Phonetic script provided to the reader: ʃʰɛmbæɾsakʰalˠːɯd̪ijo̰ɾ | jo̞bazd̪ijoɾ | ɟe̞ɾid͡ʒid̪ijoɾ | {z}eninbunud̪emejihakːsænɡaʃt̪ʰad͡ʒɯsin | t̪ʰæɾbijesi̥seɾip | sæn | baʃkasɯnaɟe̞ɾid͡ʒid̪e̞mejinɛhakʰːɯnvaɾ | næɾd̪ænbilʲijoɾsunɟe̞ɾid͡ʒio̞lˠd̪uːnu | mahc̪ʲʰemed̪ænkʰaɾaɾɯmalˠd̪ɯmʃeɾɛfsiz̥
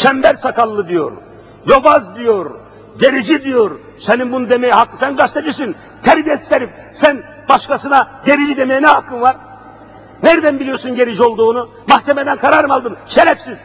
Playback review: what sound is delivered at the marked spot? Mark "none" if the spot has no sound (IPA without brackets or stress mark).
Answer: s